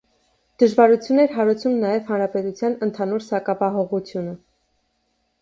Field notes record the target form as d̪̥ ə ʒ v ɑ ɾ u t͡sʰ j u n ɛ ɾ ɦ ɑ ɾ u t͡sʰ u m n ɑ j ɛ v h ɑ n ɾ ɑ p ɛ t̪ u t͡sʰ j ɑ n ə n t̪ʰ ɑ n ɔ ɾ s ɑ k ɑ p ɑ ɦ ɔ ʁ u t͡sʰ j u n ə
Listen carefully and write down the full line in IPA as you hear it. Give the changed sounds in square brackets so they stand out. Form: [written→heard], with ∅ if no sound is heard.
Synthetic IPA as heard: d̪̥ ə ʒ v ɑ ɾ u t͡sʰ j u n ɛ ɾ ɦ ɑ ɾ u t͡sʰ u m n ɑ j ɛ v h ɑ n ɾ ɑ p ɛ t̪ u t͡sʰ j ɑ n ə n t̪ʰ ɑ n [ɔ→u] ɾ s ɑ k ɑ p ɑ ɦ ɔ ʁ u t͡sʰ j u n ə